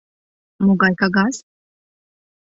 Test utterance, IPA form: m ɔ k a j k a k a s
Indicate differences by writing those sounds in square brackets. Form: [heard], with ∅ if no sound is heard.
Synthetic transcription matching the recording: m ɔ [ɡ] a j k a [ɡ] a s